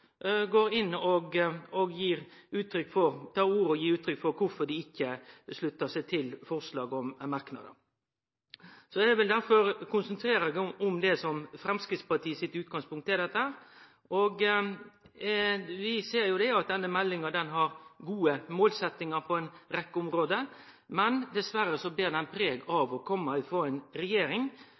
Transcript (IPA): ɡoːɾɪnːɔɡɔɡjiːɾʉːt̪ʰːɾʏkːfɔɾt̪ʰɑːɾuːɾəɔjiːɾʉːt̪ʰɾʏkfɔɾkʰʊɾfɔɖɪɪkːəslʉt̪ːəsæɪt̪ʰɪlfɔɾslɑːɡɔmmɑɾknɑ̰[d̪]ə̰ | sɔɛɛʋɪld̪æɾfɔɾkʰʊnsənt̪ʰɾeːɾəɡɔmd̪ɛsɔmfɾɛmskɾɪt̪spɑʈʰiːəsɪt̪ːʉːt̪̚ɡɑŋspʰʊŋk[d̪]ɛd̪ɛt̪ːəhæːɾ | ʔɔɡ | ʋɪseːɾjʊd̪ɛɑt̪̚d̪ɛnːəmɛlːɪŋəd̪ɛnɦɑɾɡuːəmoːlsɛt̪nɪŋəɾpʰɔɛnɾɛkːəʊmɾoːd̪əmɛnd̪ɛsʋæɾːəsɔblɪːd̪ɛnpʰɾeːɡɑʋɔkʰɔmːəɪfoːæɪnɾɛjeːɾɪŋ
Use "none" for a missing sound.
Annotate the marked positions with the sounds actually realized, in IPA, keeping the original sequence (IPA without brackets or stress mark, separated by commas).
d̪, t̪